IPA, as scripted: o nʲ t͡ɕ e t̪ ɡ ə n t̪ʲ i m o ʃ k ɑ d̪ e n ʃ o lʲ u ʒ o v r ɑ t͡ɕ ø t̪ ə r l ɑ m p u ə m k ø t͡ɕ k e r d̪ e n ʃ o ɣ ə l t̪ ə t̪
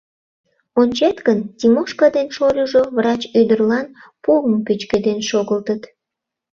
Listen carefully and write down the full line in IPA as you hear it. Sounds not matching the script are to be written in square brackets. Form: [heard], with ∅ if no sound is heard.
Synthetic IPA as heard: o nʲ t͡ɕ e t̪ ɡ ə n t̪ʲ i m o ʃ k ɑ d̪ e n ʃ o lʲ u ʒ o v r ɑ t͡ɕ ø [d̪] ə r l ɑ [n] p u ə m k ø t͡ɕ k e [∅] d̪ e n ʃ o ɣ ə l t̪ ə t̪